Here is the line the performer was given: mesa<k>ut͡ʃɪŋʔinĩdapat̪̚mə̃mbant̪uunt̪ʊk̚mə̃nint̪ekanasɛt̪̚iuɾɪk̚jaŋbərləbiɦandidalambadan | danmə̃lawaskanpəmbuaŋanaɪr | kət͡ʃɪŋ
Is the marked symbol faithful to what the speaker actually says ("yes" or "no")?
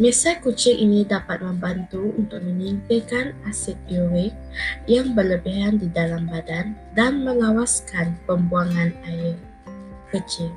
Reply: yes